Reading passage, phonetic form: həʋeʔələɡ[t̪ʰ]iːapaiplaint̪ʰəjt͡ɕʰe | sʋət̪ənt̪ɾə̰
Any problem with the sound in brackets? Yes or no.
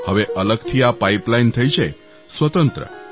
no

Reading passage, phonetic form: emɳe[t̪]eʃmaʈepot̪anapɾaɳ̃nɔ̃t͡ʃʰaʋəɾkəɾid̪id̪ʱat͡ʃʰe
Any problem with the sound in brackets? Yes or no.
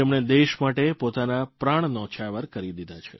yes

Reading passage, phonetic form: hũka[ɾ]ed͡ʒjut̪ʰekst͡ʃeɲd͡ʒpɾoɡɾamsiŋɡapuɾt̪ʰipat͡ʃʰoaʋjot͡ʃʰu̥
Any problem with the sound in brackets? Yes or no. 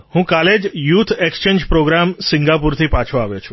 yes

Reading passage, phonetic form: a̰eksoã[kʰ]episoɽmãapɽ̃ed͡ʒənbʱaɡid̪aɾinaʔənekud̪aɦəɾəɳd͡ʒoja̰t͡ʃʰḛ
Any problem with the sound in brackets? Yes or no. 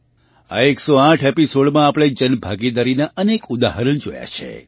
yes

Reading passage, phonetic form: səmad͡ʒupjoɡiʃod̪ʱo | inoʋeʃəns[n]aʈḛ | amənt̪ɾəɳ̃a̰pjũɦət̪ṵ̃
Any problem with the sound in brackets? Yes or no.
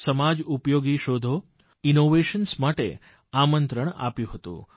yes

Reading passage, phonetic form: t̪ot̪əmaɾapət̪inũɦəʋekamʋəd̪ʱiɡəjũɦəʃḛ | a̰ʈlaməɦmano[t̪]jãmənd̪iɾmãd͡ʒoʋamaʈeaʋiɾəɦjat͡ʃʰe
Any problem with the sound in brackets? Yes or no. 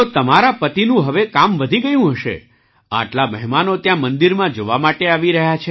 no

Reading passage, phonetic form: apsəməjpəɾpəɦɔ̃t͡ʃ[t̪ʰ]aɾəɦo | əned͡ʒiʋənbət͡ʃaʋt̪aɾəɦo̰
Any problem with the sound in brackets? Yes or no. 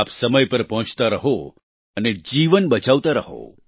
yes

